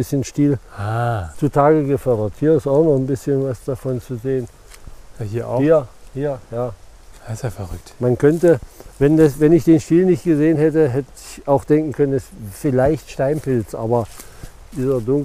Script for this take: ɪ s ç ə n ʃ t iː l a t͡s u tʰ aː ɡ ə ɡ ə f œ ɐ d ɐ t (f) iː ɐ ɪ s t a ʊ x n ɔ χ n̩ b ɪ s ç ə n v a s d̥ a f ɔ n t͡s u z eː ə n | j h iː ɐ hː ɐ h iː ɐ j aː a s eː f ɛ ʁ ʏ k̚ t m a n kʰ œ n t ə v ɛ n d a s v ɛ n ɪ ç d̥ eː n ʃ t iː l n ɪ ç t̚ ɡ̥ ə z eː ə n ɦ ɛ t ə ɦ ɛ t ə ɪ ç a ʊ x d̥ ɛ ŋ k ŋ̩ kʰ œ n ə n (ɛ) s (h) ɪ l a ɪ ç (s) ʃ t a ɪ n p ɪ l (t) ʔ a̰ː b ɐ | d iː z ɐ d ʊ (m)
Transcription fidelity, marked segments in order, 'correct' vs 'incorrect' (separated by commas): incorrect, correct, incorrect, incorrect, incorrect, incorrect